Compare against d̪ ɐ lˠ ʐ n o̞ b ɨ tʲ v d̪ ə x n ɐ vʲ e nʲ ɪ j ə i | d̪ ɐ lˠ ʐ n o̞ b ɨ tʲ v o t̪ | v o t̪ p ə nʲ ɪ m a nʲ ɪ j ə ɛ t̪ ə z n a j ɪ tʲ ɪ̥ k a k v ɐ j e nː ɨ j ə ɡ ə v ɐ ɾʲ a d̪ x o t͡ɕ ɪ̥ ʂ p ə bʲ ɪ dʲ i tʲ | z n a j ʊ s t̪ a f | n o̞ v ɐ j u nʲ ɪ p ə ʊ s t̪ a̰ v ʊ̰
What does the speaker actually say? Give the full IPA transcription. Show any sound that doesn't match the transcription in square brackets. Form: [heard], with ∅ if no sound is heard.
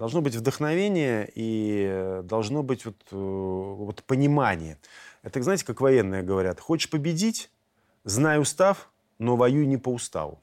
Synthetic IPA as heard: d̪ ɐ lˠ ʐ n o̞ b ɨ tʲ v d̪ ə x n ɐ vʲ e nʲ ɪ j ə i | d̪ ɐ lˠ ʐ n o̞ b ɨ tʲ v o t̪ | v o t̪ p ə nʲ ɪ m a nʲ ɪ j ə ɛ t̪ ə z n a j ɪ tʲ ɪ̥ k a k v ɐ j e nː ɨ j ə ɡ ə v ɐ ɾʲ a [t̪] x o t͡ɕ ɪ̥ ʂ p ə bʲ ɪ dʲ i tʲ | z n a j ʊ s t̪ a f | n o̞ v ɐ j u nʲ ɪ p ə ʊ s t̪ a̰ v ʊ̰